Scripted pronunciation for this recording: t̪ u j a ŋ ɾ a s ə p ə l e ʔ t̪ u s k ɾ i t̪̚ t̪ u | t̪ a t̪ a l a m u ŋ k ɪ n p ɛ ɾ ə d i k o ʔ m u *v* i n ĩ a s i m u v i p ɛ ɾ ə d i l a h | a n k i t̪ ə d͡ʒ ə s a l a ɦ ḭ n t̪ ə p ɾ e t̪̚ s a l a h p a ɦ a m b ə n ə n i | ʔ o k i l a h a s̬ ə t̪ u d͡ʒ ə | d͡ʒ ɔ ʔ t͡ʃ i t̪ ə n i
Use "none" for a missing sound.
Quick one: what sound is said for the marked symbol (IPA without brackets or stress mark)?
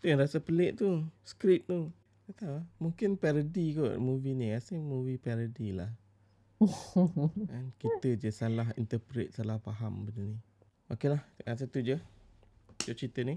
v